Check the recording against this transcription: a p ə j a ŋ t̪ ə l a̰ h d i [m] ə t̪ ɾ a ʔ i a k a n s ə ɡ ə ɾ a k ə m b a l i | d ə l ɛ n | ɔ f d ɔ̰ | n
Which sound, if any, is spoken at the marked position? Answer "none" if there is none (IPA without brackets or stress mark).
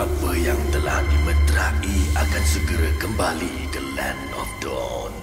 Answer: m